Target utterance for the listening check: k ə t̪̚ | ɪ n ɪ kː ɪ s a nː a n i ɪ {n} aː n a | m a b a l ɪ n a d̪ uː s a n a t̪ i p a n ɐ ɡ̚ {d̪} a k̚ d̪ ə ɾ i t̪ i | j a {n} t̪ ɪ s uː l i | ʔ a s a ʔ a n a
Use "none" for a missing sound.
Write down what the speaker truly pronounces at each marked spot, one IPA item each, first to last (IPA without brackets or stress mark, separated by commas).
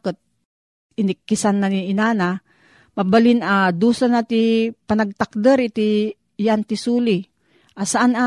n, t̪, n